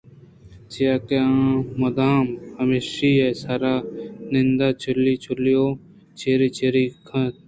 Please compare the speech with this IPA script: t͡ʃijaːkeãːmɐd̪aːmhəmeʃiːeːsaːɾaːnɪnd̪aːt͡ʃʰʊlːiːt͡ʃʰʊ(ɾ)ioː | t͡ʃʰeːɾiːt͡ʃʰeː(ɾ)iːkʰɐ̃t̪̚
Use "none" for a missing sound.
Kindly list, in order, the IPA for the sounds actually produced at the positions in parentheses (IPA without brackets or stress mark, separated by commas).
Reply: l, ɾ